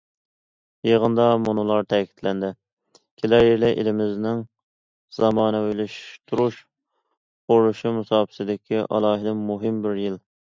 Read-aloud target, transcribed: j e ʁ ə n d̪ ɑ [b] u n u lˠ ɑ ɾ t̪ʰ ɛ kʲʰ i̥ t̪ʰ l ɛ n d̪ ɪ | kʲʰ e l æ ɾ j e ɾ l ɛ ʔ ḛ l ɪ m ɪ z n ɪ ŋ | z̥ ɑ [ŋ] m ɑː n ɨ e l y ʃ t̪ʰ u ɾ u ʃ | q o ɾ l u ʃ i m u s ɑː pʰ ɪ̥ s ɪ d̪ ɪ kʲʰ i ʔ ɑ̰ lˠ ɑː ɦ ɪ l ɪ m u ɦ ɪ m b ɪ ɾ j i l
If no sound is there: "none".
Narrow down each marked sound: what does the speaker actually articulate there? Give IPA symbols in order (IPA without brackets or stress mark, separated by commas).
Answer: m, none